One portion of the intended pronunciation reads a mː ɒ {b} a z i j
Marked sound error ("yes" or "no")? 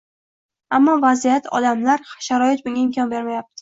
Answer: yes